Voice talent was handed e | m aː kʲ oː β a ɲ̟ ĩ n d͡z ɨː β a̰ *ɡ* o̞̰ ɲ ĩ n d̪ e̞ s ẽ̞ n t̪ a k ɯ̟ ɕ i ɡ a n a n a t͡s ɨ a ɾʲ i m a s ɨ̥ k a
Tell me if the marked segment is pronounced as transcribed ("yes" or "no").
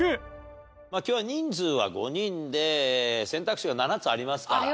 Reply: yes